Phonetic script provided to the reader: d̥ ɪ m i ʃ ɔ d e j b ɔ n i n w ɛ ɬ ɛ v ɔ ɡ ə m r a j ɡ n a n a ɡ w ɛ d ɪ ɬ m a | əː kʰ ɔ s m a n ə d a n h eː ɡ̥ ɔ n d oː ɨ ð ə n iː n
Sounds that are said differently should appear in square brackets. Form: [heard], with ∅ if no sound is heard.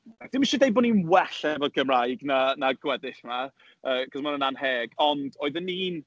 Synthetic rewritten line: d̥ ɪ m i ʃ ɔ d e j b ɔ n i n w ɛ ɬ ɛ v ɔ ɡ ə m r a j ɡ n a n a ɡ w ɛ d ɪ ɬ m a | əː kʰ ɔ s m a n ə [n] a n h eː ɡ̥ ɔ n d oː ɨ ð ə n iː n